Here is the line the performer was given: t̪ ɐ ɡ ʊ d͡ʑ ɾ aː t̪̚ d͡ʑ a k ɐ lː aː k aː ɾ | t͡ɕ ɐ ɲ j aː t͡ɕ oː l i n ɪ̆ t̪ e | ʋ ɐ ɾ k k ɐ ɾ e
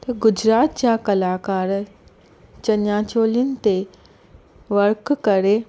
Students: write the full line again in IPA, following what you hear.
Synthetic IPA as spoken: t̪ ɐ ɡ ʊ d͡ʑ ɾ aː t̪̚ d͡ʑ a k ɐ l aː k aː ɾ | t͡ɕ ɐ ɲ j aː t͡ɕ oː l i n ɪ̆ t̪ e | ʋ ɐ ɾ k k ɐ ɾ e